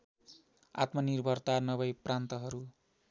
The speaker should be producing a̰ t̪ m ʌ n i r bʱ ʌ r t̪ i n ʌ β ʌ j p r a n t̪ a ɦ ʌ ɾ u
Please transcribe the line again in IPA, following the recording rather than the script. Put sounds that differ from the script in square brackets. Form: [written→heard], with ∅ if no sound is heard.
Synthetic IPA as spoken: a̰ t̪ m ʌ n i r bʱ ʌ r t̪ [i→a] n ʌ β ʌ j p r a n t̪ [a→ʌ] ɦ ʌ ɾ u